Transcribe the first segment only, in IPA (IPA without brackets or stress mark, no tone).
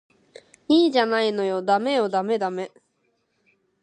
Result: iː